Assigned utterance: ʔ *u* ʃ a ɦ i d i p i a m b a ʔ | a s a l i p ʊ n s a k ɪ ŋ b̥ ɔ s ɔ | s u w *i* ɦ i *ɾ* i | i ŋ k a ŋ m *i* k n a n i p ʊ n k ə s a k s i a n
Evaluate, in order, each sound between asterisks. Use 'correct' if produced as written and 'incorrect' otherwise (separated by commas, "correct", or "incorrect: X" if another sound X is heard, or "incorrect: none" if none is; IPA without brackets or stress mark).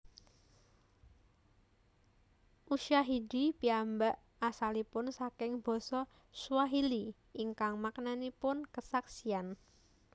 correct, incorrect: a, incorrect: l, incorrect: a